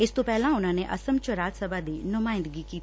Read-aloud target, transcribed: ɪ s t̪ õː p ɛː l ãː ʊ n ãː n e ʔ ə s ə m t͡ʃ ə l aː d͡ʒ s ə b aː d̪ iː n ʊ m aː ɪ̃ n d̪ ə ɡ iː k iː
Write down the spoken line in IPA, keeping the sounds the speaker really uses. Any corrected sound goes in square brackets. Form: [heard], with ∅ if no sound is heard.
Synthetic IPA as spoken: ɪ s t̪ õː p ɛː l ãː ʊ n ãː n e ʔ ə s ə m t͡ʃ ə [ɾ] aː d͡ʒ s ə b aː d̪ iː n ʊ m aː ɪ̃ n d̪ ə ɡ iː k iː